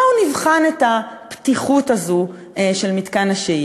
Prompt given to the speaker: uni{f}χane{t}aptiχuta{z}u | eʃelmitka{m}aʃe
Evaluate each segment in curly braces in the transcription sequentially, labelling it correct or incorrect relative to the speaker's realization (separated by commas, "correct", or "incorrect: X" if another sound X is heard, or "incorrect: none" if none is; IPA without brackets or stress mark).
incorrect: v, correct, correct, incorrect: n